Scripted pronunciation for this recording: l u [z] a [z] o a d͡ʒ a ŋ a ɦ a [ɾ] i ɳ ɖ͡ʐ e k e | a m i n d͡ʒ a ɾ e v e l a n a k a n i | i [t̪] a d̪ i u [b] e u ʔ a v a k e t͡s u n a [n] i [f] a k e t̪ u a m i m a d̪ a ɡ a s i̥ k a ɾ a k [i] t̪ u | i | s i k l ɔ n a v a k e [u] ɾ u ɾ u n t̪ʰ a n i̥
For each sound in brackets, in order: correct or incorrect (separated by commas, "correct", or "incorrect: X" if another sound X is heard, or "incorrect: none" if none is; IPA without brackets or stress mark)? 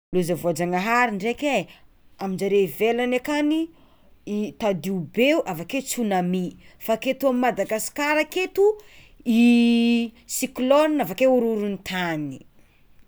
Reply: correct, incorrect: v, correct, correct, correct, incorrect: m, correct, incorrect: e, correct